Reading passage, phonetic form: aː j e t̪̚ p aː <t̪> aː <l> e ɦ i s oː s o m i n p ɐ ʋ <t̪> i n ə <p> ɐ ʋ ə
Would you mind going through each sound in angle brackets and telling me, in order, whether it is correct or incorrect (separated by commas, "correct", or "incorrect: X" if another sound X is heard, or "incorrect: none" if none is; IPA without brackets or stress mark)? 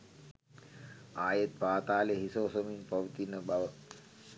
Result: correct, correct, correct, incorrect: b